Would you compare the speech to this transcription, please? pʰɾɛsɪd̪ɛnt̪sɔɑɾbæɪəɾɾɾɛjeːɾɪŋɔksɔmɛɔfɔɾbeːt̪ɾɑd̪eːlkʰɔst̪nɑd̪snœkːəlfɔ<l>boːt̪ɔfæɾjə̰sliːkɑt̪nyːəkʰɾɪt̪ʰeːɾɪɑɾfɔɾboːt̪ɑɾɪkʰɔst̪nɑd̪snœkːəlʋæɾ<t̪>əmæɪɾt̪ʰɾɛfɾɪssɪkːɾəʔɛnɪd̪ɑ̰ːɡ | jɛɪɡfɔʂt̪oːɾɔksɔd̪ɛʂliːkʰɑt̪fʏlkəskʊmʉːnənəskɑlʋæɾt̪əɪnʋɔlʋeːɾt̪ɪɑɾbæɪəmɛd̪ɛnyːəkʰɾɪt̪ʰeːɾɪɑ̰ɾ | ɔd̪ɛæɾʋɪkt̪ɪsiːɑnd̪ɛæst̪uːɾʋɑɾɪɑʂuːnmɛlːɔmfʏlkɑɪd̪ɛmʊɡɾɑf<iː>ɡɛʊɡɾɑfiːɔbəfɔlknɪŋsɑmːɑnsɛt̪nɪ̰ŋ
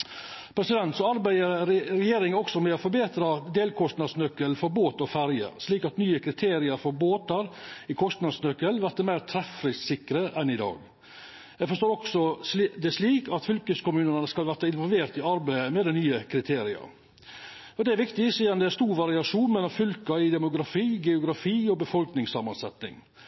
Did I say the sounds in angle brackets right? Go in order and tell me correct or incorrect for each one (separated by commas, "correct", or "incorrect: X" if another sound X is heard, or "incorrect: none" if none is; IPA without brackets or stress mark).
incorrect: ɾ, correct, correct